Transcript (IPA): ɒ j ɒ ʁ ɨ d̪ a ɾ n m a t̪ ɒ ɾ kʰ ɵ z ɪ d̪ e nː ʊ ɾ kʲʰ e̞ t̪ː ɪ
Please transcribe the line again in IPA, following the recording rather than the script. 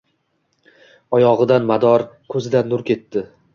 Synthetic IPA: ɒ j ɒ ʁ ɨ d̪ a n m a d̪ ɒ ɾ kʰ ɵ z ɪ d̪ a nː ʊ ɾ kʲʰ e̞ t̪ː ɪ